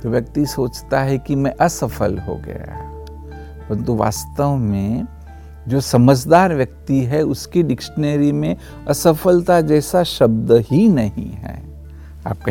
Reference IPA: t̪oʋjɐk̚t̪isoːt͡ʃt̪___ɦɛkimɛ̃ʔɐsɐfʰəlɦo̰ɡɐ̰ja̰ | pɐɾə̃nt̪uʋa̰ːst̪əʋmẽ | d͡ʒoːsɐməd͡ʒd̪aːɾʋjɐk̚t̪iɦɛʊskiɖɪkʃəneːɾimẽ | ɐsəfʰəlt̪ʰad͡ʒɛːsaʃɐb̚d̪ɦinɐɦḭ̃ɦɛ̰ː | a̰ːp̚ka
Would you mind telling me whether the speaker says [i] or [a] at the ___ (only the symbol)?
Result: a